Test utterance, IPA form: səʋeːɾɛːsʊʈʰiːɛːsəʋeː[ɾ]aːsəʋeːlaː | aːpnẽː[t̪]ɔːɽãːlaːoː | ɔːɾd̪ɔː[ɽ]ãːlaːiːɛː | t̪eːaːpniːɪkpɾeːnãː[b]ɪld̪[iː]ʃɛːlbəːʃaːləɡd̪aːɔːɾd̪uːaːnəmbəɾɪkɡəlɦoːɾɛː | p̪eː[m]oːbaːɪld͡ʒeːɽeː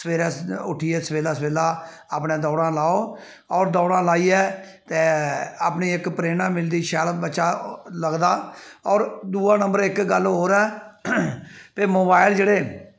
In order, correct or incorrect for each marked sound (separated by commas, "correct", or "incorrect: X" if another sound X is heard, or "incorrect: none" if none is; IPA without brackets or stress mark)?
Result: incorrect: l, incorrect: d̪, correct, incorrect: m, correct, correct